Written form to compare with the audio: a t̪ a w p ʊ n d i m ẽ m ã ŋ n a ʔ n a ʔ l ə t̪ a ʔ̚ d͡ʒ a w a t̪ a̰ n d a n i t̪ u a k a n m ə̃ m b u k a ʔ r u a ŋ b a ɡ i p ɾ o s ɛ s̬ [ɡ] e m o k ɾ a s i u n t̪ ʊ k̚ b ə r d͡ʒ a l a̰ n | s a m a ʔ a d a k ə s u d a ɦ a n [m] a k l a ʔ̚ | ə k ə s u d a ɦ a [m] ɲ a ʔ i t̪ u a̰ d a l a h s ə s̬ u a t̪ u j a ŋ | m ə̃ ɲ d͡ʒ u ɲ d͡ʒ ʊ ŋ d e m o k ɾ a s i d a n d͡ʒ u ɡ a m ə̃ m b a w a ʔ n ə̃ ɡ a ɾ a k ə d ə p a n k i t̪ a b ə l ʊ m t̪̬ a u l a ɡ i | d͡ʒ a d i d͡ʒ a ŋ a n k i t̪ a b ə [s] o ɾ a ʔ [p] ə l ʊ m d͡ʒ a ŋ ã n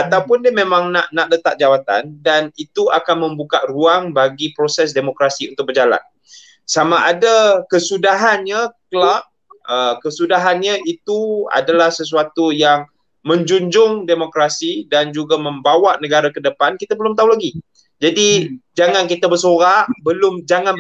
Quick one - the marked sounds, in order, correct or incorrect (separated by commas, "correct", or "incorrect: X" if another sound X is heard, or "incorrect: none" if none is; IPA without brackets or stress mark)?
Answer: incorrect: d, incorrect: ɲ, incorrect: n, correct, incorrect: b